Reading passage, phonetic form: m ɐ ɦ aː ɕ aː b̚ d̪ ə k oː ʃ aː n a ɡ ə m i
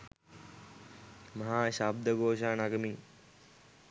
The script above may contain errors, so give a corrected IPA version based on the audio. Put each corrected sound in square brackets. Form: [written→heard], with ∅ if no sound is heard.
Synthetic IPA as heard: m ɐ ɦ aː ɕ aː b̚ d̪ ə [k→ɡ] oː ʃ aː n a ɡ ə m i